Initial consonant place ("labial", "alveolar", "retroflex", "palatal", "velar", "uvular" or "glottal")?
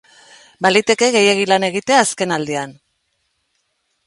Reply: labial